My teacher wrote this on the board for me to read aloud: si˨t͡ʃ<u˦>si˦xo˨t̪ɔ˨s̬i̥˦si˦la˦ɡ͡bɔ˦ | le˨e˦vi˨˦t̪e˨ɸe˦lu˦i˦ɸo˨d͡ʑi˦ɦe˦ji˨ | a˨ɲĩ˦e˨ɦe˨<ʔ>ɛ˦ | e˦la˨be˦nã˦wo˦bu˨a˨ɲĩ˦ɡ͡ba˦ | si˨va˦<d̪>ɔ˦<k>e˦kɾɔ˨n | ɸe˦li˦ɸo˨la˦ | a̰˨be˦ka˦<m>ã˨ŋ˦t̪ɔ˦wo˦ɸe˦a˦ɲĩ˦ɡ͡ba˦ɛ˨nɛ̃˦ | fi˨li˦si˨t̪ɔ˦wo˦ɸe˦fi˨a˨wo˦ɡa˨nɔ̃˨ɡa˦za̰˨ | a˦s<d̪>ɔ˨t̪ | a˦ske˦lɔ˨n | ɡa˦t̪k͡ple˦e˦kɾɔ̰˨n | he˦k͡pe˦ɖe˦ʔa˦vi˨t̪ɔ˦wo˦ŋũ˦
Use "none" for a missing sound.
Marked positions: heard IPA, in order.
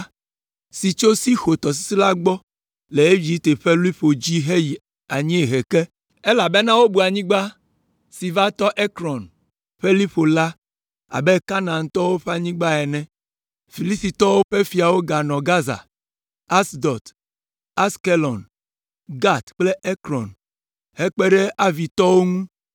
o˦, k, t̪, ʔ, n, d̪

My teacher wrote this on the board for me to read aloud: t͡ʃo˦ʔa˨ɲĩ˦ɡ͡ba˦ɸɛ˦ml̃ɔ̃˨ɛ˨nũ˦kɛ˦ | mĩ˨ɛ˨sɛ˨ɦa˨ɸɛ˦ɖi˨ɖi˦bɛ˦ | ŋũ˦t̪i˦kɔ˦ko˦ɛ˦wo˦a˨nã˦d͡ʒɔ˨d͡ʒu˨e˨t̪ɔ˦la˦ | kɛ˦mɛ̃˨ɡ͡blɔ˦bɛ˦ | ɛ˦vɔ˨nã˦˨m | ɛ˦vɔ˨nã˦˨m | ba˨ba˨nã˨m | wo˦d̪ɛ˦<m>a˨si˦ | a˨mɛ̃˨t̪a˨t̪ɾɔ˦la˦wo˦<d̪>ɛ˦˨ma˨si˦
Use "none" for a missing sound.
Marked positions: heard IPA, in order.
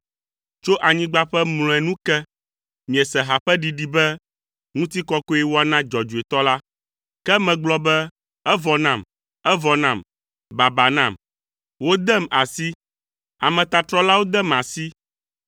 m, d̪

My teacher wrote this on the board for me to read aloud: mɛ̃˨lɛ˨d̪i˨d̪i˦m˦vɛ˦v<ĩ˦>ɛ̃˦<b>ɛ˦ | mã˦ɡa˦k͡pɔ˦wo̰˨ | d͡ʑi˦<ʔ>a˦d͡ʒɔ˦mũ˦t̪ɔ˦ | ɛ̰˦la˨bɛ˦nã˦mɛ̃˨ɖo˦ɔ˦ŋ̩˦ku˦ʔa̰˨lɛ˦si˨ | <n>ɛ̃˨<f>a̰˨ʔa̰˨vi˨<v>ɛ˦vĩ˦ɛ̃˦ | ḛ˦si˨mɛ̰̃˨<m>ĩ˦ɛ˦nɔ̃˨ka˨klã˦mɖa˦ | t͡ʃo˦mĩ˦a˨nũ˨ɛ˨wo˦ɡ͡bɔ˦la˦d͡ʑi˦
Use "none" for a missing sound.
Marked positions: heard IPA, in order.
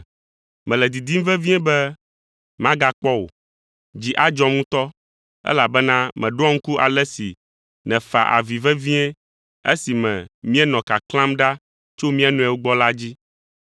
i˦, b, ʔ, n, f, v, m

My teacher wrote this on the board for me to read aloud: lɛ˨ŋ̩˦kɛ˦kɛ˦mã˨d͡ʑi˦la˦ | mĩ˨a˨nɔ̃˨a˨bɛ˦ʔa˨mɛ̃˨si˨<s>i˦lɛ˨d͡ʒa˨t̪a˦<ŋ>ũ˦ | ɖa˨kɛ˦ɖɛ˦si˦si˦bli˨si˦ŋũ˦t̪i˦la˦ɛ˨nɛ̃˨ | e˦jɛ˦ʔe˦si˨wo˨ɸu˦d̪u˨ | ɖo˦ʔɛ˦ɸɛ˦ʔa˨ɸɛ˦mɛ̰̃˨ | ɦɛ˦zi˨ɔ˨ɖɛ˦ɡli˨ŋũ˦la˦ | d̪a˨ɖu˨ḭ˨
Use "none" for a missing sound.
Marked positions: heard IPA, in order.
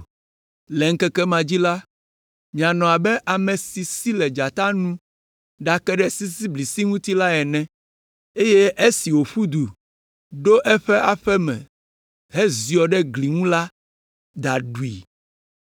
s, n

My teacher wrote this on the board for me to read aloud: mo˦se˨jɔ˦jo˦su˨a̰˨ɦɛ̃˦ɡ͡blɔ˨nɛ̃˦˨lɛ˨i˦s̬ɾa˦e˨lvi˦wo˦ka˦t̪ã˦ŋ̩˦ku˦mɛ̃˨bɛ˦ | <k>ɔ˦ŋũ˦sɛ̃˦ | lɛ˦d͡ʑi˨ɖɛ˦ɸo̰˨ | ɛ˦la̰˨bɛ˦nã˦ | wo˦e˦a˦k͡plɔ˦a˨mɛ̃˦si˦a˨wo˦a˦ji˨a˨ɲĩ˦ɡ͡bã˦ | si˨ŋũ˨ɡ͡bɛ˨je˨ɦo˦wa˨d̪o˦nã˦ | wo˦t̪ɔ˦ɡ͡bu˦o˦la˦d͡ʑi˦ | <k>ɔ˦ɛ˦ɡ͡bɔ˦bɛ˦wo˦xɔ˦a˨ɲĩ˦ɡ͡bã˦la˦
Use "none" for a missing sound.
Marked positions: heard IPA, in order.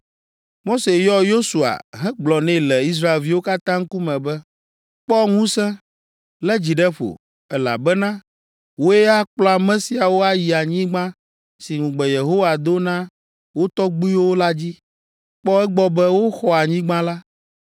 k͡p, k͡p

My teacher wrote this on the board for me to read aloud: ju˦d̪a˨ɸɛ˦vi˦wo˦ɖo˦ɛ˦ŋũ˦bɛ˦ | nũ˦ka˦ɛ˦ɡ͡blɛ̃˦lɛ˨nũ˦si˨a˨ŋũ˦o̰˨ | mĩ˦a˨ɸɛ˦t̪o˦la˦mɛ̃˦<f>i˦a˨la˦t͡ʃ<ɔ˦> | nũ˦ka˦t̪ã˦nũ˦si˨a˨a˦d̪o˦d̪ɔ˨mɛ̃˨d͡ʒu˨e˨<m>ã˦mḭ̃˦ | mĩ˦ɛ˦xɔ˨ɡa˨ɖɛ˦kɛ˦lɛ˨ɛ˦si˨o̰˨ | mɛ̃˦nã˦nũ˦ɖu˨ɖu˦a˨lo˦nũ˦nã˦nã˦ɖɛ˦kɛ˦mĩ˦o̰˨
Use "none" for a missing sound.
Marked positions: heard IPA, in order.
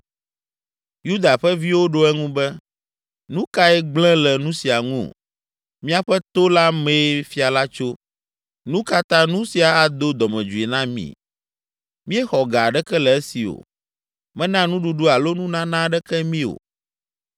f, o˦, n

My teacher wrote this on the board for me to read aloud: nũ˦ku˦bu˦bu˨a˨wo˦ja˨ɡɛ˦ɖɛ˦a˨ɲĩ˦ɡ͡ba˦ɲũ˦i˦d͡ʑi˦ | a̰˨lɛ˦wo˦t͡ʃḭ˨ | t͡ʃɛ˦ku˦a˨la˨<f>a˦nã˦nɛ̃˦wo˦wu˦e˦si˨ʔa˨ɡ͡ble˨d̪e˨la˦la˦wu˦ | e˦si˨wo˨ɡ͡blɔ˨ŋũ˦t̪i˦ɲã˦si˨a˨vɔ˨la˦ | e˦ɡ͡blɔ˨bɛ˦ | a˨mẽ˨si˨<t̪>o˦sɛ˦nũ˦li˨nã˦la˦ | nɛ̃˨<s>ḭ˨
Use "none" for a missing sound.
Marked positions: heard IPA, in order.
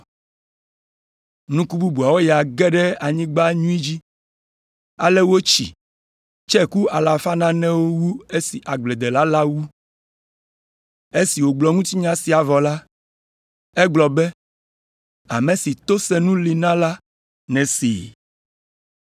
f, t̪, s

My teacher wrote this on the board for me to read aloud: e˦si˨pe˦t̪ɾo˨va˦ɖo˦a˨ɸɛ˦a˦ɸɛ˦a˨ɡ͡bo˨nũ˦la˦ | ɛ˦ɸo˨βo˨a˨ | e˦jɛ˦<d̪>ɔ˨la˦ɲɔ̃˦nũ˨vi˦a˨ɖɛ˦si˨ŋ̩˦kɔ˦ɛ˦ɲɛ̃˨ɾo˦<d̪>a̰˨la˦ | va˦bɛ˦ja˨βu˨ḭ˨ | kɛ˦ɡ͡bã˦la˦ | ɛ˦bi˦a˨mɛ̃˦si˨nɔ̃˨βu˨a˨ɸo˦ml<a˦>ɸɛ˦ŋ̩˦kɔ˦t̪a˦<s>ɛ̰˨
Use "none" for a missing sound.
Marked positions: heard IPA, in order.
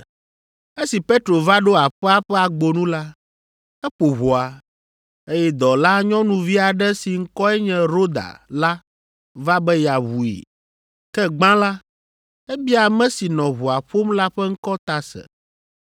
d̪, d̪, a˦, s

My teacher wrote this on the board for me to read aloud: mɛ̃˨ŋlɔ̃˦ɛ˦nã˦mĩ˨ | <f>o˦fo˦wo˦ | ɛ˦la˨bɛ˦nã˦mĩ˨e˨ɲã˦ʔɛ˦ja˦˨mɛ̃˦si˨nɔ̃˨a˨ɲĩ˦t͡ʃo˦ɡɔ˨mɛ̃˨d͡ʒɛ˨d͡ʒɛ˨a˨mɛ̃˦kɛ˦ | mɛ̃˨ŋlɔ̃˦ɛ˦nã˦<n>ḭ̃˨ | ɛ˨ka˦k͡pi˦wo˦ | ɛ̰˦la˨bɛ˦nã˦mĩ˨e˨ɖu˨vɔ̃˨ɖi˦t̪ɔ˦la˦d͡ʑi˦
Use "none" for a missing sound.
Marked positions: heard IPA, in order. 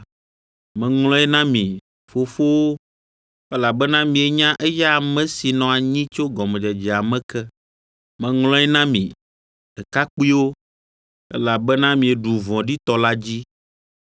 f, m

